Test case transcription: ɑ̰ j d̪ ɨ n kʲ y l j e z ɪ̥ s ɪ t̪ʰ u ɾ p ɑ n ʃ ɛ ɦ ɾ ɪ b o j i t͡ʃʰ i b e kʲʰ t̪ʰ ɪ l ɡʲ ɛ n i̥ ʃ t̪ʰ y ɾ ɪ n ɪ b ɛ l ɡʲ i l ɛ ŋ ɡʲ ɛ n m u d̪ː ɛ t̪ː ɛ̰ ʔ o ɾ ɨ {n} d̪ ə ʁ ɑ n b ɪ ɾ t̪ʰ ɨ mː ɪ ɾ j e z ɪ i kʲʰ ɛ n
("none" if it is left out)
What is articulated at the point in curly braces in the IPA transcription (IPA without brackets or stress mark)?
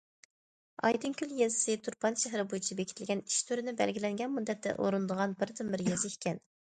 n